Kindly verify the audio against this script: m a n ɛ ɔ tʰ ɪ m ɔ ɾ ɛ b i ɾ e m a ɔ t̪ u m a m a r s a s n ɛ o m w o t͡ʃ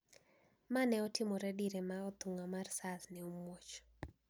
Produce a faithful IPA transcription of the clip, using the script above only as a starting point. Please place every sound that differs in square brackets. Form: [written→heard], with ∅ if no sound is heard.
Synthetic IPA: m a n ɛ ɔ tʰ ɪ m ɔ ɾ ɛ [b→d] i ɾ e m a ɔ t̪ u [m→ŋ] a m a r s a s n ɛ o m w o t͡ʃ